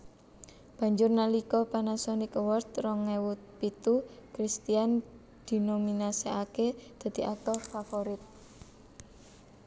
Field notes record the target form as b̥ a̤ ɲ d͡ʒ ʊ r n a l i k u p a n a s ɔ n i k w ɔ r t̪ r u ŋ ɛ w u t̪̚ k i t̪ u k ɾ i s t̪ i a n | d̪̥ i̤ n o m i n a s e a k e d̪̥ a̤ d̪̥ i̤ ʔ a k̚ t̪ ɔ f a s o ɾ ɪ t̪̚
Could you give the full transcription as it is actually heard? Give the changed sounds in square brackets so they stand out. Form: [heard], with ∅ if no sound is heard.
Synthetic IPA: b̥ a̤ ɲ d͡ʒ ʊ r n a l i k [ɔ] p a n a s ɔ n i k w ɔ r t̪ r [ɔ] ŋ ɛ w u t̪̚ [p] i t̪ u k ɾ i s t̪ i a n | d̪̥ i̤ n o m i n a s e a k e d̪̥ a̤ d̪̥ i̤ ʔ a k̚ t̪ ɔ f a [f] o ɾ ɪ t̪̚